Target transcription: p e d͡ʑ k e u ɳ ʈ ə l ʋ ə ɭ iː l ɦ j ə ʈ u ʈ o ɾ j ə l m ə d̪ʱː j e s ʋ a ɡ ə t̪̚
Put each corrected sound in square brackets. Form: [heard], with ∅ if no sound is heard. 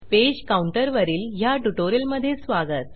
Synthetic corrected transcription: p e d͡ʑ k [a] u ɳ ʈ ə [ɾ] ʋ ə [ɾ] iː l ɦ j [a] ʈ u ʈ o ɾ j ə l m ə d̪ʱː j e s ʋ a ɡ ə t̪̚